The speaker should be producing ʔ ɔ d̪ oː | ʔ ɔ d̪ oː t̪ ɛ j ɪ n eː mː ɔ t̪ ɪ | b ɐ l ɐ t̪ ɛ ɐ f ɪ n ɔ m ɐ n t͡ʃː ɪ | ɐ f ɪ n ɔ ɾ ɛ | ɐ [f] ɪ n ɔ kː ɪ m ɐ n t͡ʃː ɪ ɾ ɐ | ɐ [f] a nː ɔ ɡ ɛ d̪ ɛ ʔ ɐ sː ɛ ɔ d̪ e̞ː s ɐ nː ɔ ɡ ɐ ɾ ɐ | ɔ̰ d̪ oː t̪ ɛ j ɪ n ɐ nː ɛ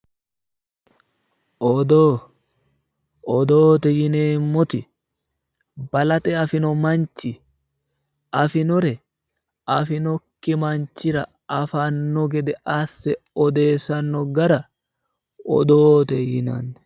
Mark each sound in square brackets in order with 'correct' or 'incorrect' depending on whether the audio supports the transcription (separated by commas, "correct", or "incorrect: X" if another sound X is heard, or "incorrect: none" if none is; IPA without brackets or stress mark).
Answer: correct, correct